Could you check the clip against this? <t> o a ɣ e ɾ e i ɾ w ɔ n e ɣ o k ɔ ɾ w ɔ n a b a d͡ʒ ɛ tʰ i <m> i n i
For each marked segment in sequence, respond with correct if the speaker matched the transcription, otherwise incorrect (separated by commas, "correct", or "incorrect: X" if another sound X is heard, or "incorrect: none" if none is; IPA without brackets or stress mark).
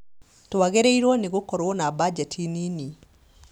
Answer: correct, incorrect: n